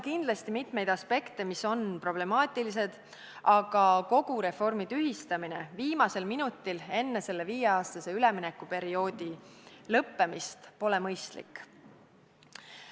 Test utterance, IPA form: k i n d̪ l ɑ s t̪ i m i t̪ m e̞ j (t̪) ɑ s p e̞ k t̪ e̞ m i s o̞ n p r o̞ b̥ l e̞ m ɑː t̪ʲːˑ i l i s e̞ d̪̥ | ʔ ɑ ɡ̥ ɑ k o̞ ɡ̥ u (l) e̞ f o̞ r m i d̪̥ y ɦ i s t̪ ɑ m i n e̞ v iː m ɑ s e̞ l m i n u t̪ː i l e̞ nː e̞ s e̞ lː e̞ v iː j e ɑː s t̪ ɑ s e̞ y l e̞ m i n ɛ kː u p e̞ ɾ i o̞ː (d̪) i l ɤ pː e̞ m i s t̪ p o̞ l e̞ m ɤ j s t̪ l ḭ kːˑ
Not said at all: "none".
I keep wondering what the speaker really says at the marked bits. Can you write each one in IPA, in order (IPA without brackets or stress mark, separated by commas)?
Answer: d̪, ɾ, d̪